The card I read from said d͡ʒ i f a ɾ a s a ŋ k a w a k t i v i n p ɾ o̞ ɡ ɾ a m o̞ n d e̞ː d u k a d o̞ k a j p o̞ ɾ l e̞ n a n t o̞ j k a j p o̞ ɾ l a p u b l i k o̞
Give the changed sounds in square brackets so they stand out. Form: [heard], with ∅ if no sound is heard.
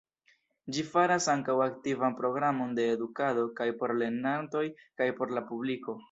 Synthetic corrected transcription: d͡ʒ i f a ɾ a s a ŋ k a w a k t i v [a] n p ɾ o̞ ɡ ɾ a m o̞ n d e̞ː d u k a d o̞ k a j p o̞ ɾ l e̞ n a n t o̞ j k a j p o̞ ɾ l a p u b l i k o̞

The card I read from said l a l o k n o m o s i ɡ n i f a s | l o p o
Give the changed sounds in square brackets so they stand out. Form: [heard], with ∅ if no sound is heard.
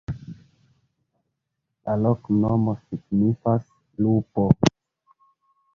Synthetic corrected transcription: l a l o k n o m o s i ɡ n i f a s | l [u] p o

